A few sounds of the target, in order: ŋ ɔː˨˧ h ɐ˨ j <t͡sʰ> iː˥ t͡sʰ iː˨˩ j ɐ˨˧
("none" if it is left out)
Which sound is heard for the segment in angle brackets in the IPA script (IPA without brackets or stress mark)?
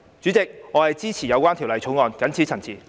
t͡s